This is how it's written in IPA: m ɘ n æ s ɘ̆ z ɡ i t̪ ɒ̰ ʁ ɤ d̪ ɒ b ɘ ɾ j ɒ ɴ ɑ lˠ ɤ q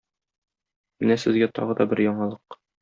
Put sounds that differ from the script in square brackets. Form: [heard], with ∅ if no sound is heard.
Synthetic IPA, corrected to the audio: m ɘ n æ s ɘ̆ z ɡ [æ] t̪ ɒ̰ ʁ ɤ d̪ ɒ b ɘ ɾ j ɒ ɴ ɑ lˠ ɤ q